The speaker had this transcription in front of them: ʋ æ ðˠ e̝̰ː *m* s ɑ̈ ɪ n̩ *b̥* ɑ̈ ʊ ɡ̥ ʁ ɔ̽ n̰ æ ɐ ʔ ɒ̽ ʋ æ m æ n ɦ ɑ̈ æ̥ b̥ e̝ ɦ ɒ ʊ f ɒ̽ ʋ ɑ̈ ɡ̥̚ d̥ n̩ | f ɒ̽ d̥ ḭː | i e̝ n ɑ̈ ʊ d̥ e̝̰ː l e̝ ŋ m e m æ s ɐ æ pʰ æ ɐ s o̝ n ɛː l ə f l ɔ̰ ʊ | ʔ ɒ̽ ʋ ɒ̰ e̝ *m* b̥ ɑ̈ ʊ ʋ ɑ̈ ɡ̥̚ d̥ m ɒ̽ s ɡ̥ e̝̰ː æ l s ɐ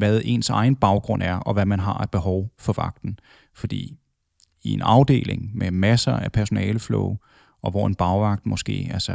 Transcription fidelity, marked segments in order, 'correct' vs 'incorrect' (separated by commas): incorrect, correct, incorrect